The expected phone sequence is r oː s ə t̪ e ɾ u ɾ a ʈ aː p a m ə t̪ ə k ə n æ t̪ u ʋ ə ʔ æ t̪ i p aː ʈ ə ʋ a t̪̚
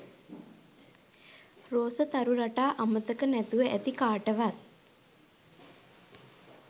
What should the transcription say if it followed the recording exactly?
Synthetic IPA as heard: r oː s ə t̪ a ɾ u ɾ a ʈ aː ʔ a m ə t̪ ə k ə n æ t̪ u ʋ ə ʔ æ t̪ i k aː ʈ ə ʋ a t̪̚